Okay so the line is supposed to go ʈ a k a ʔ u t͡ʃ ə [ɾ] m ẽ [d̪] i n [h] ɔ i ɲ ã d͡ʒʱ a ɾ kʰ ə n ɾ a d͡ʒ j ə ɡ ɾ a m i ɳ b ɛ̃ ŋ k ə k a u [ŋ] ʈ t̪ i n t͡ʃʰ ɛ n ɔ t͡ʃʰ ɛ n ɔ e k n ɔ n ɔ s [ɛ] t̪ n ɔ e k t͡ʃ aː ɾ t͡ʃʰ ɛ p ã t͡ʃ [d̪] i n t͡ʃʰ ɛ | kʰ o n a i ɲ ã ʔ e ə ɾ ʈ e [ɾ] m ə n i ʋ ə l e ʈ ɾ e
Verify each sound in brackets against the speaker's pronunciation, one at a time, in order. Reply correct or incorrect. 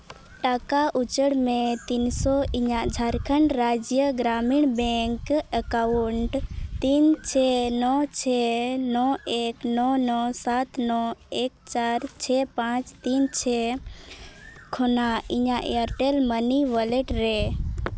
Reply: incorrect, incorrect, incorrect, incorrect, incorrect, incorrect, incorrect

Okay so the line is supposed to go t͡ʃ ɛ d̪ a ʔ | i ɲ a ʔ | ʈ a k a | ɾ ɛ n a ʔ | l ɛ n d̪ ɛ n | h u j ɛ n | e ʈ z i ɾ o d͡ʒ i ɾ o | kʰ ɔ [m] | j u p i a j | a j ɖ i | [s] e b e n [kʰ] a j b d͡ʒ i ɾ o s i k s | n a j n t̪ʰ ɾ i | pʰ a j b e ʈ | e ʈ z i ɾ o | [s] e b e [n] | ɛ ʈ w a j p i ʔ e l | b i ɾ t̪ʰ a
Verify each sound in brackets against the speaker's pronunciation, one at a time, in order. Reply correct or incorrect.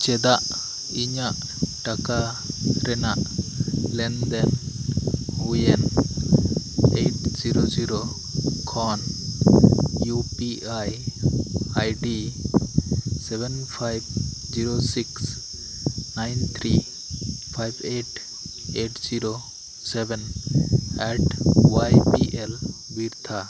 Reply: incorrect, correct, incorrect, correct, correct

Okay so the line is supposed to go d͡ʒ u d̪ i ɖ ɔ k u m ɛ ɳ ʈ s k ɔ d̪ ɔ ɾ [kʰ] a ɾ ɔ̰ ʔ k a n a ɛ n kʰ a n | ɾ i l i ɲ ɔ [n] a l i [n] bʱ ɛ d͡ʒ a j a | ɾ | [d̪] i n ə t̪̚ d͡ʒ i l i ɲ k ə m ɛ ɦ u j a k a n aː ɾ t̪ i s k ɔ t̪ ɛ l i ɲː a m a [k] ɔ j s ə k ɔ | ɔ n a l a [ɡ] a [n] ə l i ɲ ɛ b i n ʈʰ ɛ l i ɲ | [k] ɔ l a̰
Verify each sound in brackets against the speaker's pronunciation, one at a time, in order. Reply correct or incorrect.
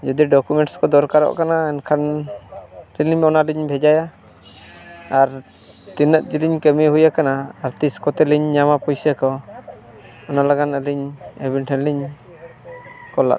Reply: incorrect, correct, incorrect, incorrect, incorrect, correct, correct, correct

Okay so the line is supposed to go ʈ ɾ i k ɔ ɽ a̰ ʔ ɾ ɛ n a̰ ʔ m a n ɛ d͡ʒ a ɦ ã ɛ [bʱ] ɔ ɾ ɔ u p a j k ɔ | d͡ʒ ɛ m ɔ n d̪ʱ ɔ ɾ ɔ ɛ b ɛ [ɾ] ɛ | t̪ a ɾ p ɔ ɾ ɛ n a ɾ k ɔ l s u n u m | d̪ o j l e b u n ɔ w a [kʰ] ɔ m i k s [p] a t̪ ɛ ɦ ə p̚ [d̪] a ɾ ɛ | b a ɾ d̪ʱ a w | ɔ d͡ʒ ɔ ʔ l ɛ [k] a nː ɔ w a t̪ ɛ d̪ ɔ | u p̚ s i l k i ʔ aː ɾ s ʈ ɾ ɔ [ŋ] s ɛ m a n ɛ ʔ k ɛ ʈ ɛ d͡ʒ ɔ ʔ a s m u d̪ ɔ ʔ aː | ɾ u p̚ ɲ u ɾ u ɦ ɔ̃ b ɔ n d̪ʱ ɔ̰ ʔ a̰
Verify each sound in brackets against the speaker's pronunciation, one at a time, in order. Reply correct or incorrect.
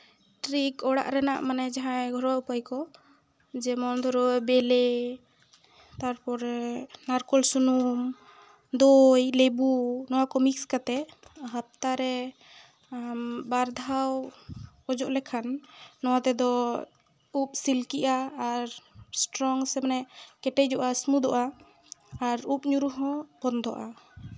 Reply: incorrect, incorrect, incorrect, incorrect, incorrect, incorrect, correct

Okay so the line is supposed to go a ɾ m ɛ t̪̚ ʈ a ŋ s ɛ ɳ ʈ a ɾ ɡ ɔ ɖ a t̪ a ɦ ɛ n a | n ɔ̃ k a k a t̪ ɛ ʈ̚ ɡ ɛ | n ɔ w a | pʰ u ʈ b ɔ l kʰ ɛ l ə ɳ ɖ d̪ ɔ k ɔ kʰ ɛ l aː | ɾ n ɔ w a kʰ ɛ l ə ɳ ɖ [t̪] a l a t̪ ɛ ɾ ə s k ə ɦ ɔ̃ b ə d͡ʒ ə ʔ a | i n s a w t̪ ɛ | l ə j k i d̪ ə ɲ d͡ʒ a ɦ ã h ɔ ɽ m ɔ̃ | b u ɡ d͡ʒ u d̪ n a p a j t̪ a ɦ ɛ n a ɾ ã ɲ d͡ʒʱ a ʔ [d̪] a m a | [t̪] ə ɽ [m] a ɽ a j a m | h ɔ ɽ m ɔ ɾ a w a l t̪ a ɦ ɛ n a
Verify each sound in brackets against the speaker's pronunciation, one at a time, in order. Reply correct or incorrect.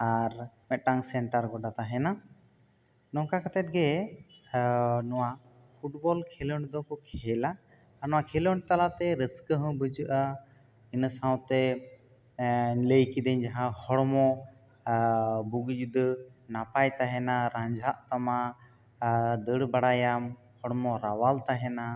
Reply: correct, incorrect, incorrect, incorrect

